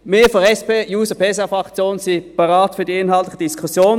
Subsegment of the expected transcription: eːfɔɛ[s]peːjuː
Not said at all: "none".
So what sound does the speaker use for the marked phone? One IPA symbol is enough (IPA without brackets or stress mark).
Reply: s